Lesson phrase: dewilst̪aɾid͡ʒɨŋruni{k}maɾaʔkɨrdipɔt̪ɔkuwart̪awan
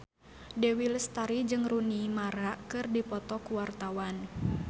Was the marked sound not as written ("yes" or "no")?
yes